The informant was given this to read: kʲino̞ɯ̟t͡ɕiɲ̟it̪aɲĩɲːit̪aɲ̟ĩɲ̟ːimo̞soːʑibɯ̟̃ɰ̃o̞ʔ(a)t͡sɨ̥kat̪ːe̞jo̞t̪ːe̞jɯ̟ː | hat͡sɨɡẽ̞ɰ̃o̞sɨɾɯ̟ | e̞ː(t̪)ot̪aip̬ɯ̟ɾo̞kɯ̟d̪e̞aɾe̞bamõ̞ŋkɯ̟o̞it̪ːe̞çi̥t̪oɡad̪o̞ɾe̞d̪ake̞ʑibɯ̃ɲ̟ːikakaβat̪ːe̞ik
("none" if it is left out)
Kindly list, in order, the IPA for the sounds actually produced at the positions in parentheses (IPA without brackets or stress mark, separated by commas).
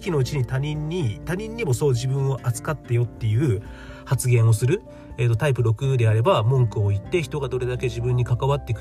a, t̪